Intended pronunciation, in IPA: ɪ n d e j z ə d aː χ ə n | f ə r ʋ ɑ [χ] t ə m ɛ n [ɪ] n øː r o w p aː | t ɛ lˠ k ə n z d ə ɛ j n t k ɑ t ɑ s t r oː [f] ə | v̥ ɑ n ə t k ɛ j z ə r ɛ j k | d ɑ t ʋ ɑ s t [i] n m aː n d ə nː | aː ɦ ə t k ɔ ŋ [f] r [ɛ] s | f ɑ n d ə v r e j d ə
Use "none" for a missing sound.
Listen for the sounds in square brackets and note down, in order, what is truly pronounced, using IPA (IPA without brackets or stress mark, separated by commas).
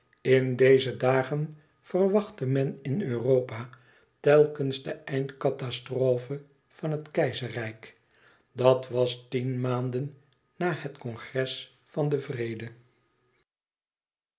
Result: χ, ɪ, f, i, χ, ɛ